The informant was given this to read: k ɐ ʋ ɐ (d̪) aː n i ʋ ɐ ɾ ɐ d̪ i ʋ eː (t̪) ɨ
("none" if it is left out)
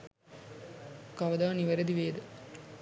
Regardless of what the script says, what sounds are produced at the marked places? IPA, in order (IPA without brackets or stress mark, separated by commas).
d̪, d̪